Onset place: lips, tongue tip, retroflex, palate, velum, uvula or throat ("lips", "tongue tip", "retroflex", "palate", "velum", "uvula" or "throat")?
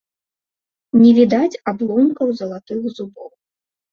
tongue tip